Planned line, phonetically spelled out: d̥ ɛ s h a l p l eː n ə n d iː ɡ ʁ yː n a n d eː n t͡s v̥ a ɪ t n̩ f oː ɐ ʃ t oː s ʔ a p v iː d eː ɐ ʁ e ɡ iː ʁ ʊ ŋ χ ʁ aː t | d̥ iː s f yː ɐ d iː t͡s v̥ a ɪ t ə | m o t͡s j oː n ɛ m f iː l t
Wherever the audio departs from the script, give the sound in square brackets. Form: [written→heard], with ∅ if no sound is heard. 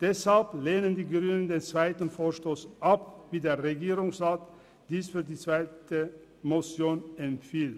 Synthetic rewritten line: d̥ ɛ s h a l p l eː n ə n d iː ɡ ʁ yː n [a→ə] n d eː n t͡s v̥ a ɪ t n̩ f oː ɐ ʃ t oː s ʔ a p v iː d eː ɐ ʁ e ɡ iː ʁ ʊ ŋ [χ→s] ʁ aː t | d̥ iː s f yː ɐ d iː t͡s v̥ a ɪ t ə | m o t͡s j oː n ɛ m f iː l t